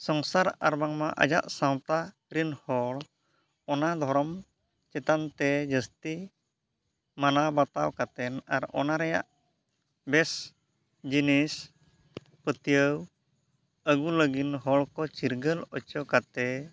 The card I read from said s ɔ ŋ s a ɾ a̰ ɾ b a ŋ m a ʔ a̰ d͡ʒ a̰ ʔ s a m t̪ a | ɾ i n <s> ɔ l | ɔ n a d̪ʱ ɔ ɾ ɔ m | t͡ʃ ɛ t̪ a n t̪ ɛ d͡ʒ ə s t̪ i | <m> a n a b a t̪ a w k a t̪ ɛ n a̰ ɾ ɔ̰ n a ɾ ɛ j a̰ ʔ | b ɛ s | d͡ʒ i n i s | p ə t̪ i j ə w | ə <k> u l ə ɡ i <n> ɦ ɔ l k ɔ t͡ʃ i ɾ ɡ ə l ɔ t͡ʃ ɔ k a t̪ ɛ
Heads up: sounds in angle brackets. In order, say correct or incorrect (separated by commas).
incorrect, correct, incorrect, correct